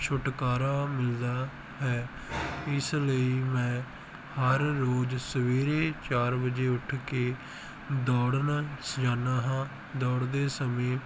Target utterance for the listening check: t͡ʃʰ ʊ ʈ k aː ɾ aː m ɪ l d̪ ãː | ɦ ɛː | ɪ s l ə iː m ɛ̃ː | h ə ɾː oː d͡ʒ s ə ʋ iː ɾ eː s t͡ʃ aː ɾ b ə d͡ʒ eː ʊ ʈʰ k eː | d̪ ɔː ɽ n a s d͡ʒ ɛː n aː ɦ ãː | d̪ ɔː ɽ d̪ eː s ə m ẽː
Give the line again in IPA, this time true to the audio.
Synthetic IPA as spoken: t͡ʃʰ ʊ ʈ k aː ɾ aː m ɪ l d̪ aː | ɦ ɛː | ɪ s l ə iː m ɛ̃ː | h ə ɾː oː d͡ʒ s ə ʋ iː ɾ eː t͡ʃ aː ɾ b ə d͡ʒ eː ʊ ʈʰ k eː | d̪ ɔː ɽ n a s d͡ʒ aː n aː ɦ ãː | d̪ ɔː ɽ d̪ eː s ə m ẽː

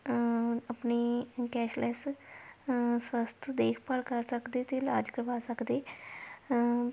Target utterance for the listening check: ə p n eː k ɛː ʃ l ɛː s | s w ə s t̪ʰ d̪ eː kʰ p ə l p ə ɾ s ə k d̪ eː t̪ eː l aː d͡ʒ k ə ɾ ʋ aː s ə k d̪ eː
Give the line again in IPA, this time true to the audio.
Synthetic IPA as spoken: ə p n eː k ɛː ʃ l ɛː s | s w ə s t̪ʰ d̪ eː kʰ p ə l k ə ɾ s ə k d̪ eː t̪ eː l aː d͡ʒ k ə ɾ ʋ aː s ə k d̪ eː

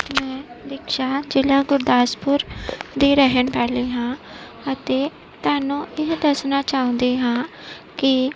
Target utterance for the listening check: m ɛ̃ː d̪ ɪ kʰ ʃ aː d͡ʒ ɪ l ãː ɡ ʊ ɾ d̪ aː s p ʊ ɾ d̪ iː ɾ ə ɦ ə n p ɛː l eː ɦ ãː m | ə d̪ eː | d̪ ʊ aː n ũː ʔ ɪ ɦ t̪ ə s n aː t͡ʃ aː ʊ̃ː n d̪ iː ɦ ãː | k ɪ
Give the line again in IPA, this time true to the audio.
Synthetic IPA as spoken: m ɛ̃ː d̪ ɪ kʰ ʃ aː d͡ʒ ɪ l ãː ɡ ʊ ɾ d̪ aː s p ʊ ɾ d̪ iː ɾ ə ɦ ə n p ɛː l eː ɦ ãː | ə t̪ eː | t̪ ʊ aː n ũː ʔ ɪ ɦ d̪ ə s n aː t͡ʃ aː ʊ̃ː n d̪ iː ɦ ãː | k ɪ

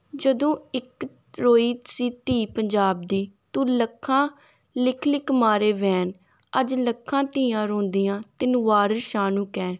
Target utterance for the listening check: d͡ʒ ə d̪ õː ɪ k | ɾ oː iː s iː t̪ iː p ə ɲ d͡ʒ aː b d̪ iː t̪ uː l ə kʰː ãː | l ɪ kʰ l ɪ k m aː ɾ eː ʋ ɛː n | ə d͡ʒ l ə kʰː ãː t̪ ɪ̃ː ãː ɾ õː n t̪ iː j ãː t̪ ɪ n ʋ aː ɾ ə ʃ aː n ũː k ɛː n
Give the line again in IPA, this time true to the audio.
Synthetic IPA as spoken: d͡ʒ ə d̪ õː ɪ k | ɾ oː iː s iː t̪ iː p ə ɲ d͡ʒ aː b d̪ iː t̪ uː l ə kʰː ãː | l ɪ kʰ l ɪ k m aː ɾ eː ʋ ɛː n | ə d͡ʒ l ə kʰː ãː t̪ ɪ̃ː ãː ɾ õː n d̪ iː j ãː t̪ ɪ n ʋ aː ɾ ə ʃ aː n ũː k ɛː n

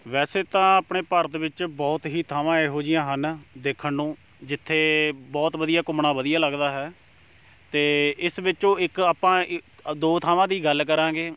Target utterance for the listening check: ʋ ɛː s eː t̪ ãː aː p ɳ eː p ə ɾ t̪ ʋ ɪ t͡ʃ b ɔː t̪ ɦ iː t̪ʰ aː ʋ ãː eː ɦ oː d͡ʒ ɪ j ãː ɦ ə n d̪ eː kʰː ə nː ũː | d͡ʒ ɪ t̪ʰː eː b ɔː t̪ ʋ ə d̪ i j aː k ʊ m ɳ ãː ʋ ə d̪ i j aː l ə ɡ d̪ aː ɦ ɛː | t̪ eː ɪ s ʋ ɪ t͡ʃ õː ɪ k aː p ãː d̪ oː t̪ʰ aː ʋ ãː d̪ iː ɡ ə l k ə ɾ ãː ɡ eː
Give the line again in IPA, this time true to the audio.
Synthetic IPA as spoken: ʋ ɛː s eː t̪ ãː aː p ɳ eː p ə ɾ t̪ ʋ ɪ t͡ʃ b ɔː t̪ ɦ iː t̪ʰ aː ʋ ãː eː ɦ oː d͡ʒ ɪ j ãː ɦ ə n d̪ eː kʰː ə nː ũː | d͡ʒ ɪ t̪ʰː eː b ɔː t̪ ʋ ə d̪ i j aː k ʊ m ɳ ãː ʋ ə d̪ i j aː l ə ɡ d̪ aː ɦ ɛː | t̪ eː ɪ s ʋ ɪ t͡ʃ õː ɪ k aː p ãː d̪ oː t̪ʰ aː ʋ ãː d̪ iː ɡ ə l k ə ɾ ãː ɡ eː

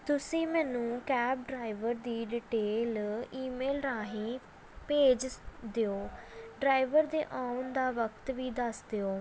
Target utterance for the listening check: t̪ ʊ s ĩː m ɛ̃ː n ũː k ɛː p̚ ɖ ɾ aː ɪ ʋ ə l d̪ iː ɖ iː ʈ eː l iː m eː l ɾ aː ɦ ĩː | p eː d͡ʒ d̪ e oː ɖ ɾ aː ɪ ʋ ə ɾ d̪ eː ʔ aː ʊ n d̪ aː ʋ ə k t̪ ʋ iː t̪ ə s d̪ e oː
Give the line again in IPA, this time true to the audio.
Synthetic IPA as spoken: t̪ ʊ s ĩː m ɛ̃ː n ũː k ɛː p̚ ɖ ɾ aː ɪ ʋ ə ɾ d̪ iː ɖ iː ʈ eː l iː m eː l ɾ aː ɦ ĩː | p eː d͡ʒ d̪ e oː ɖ ɾ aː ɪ ʋ ə ɾ d̪ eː ʔ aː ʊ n d̪ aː ʋ ə k t̪ ʋ iː d̪ ə s d̪ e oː

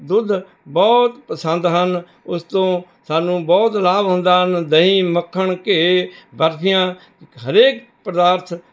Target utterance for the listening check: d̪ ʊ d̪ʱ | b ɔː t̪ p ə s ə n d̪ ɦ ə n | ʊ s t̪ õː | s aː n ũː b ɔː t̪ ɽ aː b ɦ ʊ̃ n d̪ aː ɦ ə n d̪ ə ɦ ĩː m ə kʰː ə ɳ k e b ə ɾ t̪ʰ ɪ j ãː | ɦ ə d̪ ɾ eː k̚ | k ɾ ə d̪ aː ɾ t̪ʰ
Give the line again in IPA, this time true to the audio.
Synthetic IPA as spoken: d̪ ʊ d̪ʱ | b ɔː t̪ p ə s ə n d̪ ɦ ə n | ʊ s t̪ õː | s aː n ũː b ɔː t̪ l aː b ɦ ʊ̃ n d̪ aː ɦ ə n d̪ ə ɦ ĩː m ə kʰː ə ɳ k e b ə ɾ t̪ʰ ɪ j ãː | ɦ ə ɾ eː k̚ | p ɾ ə d̪ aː ɾ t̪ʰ

